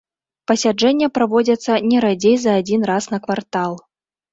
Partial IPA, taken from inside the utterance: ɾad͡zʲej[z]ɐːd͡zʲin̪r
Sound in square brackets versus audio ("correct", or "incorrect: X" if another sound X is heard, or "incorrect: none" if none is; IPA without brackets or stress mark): correct